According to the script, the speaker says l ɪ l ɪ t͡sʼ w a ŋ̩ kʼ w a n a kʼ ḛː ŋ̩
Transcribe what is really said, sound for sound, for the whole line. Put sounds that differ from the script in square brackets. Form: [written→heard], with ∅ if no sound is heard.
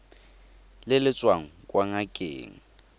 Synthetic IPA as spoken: l ɪ l ɪ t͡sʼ w a ŋ̩ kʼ w a [n→ŋ] a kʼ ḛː ŋ̩